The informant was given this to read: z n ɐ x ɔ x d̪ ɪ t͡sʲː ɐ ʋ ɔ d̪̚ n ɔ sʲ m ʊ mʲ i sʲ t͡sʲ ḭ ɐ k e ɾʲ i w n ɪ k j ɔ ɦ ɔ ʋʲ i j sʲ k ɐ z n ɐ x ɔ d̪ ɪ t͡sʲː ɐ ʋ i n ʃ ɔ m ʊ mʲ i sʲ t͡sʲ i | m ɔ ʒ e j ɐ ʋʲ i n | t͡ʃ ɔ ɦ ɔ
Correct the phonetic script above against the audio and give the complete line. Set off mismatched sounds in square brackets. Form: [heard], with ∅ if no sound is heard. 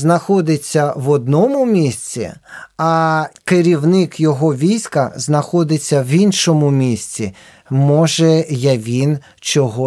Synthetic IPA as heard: z n ɐ x ɔ [∅] d̪ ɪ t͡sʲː ɐ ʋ ɔ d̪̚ n ɔ [∅] m ʊ mʲ i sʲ t͡sʲ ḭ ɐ k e ɾʲ i w n ɪ k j ɔ ɦ ɔ ʋʲ i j sʲ k ɐ z n ɐ x ɔ d̪ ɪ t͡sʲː ɐ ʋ i n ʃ ɔ m ʊ mʲ i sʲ t͡sʲ i | m ɔ ʒ [ɛ] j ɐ ʋʲ i n | t͡ʃ ɔ ɦ ɔ